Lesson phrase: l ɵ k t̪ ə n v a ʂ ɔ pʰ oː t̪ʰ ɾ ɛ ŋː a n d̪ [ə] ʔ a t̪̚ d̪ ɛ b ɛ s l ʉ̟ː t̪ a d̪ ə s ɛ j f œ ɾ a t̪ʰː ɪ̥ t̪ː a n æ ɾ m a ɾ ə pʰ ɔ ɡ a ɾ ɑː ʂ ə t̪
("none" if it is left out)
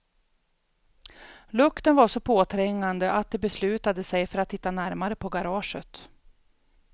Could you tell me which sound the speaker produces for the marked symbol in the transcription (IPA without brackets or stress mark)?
ə